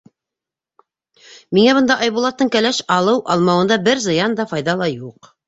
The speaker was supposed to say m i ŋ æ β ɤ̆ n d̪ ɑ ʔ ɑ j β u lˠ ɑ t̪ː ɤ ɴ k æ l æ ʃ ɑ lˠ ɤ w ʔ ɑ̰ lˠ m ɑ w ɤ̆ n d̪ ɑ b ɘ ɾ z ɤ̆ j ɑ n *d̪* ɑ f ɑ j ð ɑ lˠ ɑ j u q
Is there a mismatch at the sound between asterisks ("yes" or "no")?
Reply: no